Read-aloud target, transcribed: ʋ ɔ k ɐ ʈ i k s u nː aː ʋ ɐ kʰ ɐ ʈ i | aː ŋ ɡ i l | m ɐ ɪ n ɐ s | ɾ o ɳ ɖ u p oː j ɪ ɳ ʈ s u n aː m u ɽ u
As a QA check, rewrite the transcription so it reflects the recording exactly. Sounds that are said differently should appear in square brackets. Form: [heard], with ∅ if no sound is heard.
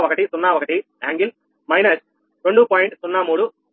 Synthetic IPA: ʋ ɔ k ɐ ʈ i [∅] s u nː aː ʋ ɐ [k] ɐ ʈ i | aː ŋ ɡ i l | m ɐ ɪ n ɐ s | ɾ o ɳ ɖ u p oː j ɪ ɳ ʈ s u [nː] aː m [uː] ɽ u